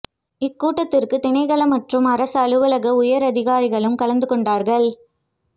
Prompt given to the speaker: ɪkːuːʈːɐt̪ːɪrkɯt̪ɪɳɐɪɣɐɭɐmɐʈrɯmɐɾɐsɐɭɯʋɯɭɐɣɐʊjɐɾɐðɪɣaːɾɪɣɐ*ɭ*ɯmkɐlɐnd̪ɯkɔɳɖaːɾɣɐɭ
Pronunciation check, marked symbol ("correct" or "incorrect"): correct